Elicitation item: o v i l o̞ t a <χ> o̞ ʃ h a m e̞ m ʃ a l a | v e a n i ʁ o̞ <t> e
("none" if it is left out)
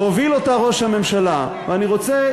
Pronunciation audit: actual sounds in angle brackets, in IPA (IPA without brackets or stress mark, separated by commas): ʁ, t͡s